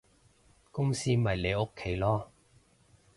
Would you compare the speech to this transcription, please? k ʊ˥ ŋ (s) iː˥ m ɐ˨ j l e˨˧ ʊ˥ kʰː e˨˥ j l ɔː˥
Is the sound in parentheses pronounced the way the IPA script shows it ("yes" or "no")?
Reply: yes